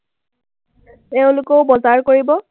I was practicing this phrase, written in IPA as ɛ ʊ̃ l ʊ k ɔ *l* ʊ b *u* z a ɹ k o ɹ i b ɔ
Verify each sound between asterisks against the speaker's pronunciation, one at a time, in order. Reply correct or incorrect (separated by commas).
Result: incorrect, incorrect